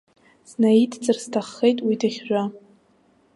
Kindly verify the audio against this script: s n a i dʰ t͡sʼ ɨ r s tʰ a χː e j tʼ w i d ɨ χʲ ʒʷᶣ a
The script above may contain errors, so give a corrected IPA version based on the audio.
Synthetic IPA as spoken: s n a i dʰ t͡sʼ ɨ r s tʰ a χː e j tʼ w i d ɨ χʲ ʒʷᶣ a